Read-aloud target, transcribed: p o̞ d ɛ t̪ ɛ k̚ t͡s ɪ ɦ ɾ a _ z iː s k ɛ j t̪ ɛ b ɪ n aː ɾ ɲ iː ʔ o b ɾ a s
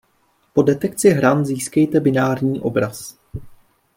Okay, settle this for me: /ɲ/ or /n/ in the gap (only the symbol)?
n